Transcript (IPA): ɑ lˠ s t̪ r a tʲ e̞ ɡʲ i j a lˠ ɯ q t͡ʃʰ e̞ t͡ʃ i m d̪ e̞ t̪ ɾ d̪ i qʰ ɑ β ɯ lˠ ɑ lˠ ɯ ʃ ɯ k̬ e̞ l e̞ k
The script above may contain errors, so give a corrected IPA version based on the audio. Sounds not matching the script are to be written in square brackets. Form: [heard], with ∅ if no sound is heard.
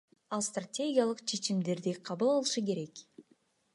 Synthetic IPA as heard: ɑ lˠ s t̪ r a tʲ e̞ ɡʲ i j a lˠ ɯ q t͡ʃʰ e̞ t͡ʃ i m d̪ e̞ [∅] ɾ d̪ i qʰ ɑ β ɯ lˠ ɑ lˠ ɯ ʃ ɯ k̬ e̞ [ɾ] e̞ k